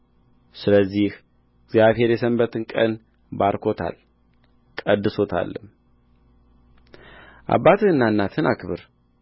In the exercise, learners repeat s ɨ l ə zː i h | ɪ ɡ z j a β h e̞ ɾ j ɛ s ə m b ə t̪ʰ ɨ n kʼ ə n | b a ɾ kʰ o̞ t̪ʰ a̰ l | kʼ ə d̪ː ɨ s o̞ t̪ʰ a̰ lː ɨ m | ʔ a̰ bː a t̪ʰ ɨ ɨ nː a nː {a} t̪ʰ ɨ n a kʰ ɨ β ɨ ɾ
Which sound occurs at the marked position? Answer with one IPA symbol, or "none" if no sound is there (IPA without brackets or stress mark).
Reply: a